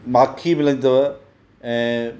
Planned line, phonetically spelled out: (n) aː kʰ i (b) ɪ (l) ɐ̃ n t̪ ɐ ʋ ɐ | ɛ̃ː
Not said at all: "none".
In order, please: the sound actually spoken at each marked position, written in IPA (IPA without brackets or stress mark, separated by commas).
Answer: m, m, l